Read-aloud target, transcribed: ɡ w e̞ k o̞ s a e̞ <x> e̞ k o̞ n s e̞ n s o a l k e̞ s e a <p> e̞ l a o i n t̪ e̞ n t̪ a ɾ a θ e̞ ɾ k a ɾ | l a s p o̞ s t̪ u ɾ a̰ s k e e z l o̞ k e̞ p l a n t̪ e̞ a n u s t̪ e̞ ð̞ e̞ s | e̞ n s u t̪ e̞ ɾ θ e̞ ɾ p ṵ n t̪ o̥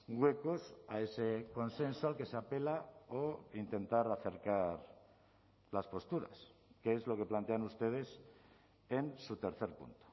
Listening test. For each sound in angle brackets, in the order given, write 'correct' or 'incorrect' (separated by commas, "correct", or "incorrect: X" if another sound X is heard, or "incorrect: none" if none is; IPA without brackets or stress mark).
incorrect: s, correct